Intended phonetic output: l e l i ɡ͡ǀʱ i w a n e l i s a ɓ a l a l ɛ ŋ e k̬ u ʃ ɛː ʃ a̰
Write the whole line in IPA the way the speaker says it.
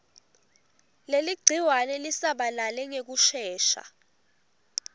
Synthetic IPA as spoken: l e l i ɡ͡ǀʱ i w a n ɛ l i s a ɓ a l a l ɛ ŋ e k̬ u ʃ ɛː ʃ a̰